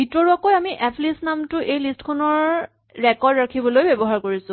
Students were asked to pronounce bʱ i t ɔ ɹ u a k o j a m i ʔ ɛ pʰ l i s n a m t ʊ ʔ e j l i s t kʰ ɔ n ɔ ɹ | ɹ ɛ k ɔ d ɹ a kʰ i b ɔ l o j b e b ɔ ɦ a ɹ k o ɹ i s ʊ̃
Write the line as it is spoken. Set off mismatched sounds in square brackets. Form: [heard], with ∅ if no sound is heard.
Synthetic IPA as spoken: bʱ i t ɔ ɹ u a k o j a m i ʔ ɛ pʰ l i s n a m t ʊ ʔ e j l i s t kʰ ɔ n ɔ ɹ | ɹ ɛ k ɔ d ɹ a kʰ i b ɔ l o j b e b ɔ ɦ a ɹ k o ɹ i s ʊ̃